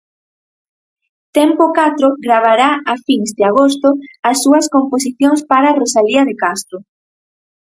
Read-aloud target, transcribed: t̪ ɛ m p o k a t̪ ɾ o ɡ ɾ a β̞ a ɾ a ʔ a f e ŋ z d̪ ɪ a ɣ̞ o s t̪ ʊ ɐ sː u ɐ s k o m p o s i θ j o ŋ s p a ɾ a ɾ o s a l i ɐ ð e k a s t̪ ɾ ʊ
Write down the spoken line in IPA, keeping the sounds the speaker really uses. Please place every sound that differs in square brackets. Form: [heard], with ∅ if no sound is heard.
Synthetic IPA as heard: t̪ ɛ m p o k a t̪ ɾ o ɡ ɾ a β̞ a ɾ a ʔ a f [i] ŋ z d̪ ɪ a ɣ̞ o s t̪ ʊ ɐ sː u ɐ s k o m p o s i θ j o ŋ s p a ɾ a [r] o s a l i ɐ ð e k a s t̪ ɾ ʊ